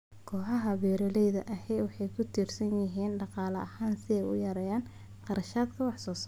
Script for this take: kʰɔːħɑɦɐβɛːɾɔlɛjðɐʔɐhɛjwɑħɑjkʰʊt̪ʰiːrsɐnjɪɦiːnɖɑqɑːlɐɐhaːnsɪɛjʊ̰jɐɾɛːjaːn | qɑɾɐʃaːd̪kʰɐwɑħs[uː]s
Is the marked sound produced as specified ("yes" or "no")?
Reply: no